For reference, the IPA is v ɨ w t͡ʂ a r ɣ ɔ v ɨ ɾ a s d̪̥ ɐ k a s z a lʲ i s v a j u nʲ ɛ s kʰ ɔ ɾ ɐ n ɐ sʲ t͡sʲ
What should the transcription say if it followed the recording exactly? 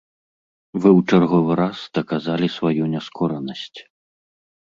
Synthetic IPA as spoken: v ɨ w t͡ʂ a r ɣ ɔ v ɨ ɾ a s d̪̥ ɐ k a z a lʲ i s v a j u nʲ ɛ s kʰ ɔ ɾ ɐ n ɐ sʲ t͡sʲ